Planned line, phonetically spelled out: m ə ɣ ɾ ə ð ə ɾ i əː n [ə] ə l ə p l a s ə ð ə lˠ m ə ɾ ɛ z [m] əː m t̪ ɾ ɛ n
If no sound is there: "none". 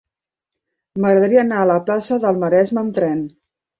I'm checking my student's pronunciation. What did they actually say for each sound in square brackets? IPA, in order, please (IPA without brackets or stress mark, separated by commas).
a, m